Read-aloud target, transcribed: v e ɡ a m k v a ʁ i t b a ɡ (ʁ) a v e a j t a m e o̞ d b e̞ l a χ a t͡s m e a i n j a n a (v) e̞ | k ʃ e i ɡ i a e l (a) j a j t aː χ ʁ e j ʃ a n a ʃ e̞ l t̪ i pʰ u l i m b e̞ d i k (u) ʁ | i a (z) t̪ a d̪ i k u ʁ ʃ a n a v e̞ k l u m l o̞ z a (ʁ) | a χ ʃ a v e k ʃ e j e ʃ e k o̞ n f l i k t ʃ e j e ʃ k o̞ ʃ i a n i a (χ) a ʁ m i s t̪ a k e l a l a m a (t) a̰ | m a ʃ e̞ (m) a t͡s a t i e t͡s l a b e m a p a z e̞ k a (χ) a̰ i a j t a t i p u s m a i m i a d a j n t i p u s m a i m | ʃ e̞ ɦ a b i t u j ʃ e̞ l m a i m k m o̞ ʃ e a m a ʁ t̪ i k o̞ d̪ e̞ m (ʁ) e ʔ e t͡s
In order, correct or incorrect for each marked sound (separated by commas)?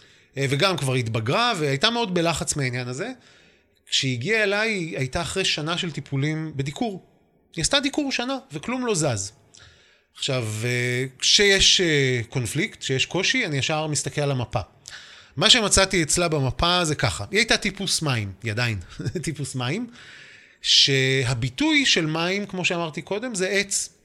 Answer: correct, incorrect, correct, correct, incorrect, incorrect, incorrect, incorrect, correct, correct, incorrect